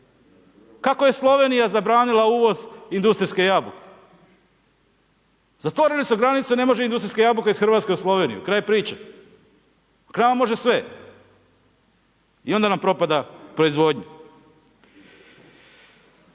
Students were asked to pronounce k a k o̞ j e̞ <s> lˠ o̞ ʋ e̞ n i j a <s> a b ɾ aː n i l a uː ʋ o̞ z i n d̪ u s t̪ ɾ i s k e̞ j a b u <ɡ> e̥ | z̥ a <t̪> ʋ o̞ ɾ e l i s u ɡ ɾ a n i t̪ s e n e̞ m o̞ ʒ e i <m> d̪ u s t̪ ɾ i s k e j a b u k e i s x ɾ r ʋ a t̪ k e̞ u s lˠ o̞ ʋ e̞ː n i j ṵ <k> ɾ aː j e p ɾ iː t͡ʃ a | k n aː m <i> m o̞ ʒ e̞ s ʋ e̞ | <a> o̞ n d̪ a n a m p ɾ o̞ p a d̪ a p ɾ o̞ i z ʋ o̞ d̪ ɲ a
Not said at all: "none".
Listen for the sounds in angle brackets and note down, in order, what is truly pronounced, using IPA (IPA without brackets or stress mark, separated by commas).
s, z, k, t̪, n, k, a, i